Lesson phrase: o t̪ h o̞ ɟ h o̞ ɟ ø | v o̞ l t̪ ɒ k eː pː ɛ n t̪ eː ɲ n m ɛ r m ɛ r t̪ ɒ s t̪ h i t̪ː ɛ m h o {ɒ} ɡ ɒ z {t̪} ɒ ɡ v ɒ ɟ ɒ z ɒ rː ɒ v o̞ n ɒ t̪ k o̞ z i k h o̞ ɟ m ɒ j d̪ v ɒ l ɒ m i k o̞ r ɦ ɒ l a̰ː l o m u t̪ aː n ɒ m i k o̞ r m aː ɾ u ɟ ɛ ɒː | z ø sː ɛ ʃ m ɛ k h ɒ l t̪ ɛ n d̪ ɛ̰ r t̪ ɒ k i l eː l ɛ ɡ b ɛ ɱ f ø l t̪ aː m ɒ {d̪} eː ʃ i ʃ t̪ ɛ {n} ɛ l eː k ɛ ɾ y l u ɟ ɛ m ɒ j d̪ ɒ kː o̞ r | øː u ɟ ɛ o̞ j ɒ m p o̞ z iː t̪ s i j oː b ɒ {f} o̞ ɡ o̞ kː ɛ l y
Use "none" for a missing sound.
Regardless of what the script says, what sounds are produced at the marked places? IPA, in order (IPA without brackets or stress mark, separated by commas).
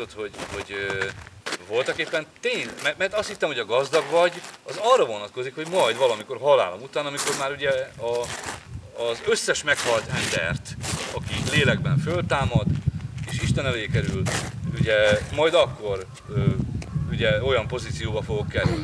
ɒ, d̪, d̪, n, f